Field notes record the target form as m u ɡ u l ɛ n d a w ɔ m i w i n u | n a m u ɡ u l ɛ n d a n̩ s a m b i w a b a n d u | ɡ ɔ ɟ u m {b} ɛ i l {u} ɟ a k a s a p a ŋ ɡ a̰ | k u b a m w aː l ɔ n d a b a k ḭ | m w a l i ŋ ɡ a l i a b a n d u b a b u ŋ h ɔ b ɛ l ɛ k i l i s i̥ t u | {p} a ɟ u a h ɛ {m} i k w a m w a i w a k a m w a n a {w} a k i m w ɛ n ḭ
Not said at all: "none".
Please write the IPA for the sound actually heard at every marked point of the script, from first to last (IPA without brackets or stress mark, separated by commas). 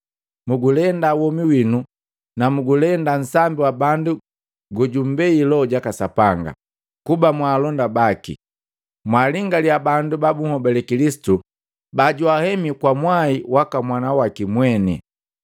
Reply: b, ɔ, b, m, w